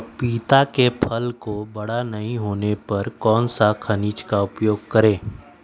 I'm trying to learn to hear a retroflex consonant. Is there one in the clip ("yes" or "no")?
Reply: yes